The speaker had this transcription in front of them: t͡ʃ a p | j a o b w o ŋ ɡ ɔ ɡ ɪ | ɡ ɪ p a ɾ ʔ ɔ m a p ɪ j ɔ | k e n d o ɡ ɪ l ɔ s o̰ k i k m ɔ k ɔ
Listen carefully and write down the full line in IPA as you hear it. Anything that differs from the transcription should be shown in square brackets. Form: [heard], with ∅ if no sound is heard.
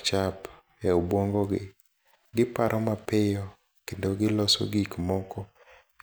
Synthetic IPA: t͡ʃ a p | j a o b w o ŋ ɡ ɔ ɡ ɪ | ɡ ɪ p a ɾ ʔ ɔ m a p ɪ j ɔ | k e n d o ɡ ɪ l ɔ s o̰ [ɡ] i k m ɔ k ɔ